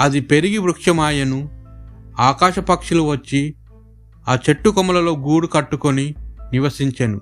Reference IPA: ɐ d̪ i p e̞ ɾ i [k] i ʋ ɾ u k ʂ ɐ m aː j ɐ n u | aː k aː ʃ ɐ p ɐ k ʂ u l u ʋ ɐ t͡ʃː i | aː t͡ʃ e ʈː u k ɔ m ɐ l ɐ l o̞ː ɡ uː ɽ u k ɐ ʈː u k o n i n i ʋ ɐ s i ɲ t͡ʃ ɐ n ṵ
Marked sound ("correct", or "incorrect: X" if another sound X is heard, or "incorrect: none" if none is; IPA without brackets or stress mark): incorrect: ɡ